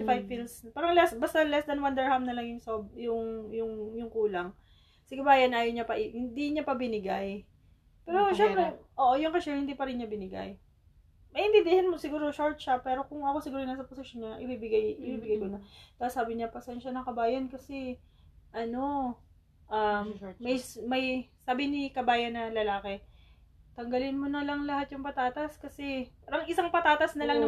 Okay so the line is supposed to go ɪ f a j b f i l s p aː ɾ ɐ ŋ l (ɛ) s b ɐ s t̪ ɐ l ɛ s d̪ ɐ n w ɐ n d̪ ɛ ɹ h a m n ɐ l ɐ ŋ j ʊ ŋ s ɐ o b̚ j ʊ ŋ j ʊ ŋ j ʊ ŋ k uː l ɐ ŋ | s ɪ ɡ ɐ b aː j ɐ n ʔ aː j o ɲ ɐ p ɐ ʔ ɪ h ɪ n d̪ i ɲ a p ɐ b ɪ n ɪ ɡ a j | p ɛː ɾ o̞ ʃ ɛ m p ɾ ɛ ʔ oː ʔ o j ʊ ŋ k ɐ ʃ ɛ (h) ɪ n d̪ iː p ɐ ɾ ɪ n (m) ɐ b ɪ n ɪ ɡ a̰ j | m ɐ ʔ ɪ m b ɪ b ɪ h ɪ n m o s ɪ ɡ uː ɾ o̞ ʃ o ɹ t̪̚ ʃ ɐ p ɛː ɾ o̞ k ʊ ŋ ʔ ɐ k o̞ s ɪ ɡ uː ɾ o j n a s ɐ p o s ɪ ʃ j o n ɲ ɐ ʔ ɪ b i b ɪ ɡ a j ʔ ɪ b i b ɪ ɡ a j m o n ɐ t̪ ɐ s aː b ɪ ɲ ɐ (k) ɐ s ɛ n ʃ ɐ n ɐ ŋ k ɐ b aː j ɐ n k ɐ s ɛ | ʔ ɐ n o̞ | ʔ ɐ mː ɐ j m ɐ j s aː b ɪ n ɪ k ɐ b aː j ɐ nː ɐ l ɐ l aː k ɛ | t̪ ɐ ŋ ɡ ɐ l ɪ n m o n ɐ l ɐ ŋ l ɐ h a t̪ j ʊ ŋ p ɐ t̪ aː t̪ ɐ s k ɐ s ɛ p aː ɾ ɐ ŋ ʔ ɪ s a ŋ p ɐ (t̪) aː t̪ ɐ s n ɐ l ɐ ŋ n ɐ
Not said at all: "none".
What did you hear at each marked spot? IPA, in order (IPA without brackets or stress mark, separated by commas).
ɛ, h, ɲ, p, t̪